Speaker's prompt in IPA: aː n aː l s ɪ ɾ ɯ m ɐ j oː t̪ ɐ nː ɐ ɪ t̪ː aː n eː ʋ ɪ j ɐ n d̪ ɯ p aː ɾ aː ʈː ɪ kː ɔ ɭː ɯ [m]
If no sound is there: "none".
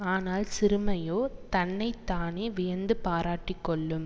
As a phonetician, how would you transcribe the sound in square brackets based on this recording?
m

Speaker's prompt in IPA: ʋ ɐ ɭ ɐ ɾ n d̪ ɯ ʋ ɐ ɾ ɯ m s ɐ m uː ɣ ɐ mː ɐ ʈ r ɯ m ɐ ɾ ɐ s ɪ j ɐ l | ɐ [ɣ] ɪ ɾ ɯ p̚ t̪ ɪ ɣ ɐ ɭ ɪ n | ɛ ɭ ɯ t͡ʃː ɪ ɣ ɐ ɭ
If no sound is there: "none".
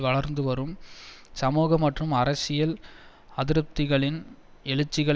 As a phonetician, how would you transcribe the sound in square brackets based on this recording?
ð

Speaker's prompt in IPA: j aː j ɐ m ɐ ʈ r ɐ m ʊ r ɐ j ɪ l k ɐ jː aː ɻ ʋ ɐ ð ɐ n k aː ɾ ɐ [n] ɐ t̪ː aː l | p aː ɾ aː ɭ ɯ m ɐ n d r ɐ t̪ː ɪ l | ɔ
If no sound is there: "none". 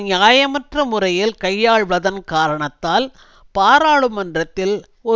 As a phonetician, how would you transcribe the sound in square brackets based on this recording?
ɳ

